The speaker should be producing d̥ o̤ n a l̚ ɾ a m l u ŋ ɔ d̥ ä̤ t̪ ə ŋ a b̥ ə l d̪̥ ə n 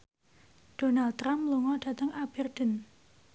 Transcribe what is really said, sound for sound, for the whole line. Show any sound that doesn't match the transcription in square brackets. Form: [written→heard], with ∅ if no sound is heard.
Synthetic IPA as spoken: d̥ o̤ n a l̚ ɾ a m l u ŋ ɔ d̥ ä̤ t̪ ə ŋ a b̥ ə [l→r] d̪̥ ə n